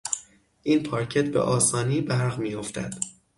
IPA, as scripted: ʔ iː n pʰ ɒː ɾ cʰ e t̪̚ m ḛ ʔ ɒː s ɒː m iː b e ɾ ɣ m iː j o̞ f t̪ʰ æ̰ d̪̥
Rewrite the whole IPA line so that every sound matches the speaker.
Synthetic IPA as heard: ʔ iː n pʰ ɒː ɾ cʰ e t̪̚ b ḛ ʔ ɒː s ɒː n iː b æ ɾ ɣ m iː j o̞ f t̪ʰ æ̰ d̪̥